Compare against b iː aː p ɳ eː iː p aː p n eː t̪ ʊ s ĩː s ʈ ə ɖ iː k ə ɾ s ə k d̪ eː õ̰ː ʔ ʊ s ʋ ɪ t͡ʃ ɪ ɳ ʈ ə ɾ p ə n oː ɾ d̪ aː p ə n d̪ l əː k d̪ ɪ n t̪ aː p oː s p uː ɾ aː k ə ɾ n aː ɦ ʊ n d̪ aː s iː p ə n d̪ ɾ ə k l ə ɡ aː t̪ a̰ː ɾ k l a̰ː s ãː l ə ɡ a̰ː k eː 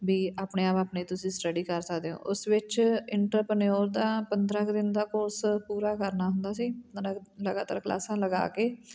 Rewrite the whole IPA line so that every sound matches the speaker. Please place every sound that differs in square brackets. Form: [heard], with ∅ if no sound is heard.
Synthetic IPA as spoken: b iː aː p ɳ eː [aː] p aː p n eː t̪ ʊ s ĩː s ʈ ə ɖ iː k ə ɾ s ə k d̪ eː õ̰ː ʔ ʊ s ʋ ɪ t͡ʃ ɪ ɳ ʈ ə ɾ p ə n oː ɾ d̪ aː p ə n d̪ [ɾ] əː k d̪ ɪ n [d̪] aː [k] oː s p uː ɾ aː k ə ɾ n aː ɦ ʊ n d̪ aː s iː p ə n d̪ ɾ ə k l ə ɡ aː t̪ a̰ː ɾ k l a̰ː s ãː l ə ɡ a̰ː k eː